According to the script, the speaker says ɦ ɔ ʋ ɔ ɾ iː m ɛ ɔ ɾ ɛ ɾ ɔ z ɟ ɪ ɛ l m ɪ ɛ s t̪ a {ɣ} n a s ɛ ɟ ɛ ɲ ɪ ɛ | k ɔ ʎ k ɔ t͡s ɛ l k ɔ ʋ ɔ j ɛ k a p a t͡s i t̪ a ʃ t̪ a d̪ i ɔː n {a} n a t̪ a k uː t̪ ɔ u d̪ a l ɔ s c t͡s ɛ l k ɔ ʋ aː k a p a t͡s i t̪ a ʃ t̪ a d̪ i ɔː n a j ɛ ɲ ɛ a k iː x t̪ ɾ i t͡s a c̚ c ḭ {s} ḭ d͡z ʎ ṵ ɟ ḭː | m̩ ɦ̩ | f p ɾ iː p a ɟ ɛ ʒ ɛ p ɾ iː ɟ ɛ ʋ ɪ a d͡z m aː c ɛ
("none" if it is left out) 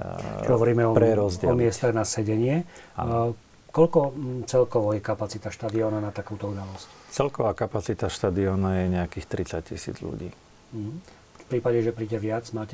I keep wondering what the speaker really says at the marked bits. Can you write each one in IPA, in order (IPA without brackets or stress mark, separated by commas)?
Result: ɣ, a, s